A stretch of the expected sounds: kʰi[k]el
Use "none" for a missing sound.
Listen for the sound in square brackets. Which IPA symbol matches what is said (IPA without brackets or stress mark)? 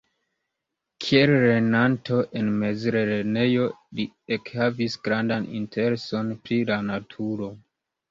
none